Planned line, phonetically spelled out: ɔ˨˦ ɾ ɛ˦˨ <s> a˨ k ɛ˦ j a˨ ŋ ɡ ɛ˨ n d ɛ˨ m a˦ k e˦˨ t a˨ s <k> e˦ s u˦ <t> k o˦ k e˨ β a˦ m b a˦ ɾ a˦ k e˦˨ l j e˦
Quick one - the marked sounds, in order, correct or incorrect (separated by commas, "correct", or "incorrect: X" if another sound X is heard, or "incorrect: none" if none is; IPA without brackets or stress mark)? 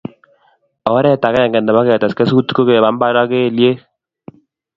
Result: incorrect: t, correct, correct